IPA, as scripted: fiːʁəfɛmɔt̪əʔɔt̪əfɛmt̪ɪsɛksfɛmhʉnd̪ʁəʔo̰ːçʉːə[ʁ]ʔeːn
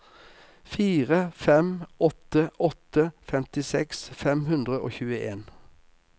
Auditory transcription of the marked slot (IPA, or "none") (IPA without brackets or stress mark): none